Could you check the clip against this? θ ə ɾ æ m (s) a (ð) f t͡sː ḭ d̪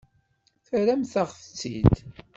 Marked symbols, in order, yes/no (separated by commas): no, no